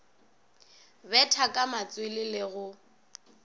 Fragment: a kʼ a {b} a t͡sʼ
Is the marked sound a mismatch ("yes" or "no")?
yes